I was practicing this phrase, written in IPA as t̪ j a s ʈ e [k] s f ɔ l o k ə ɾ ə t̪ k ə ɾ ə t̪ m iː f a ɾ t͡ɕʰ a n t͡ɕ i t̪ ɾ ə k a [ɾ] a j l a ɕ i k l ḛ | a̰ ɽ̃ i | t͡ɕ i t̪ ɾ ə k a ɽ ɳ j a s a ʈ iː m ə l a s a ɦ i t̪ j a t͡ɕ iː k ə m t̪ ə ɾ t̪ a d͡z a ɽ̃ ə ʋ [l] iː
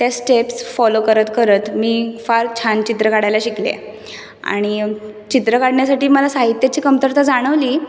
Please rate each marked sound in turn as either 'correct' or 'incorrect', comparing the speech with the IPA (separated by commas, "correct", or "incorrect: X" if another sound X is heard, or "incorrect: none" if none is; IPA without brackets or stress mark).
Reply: incorrect: p, incorrect: ɽ, correct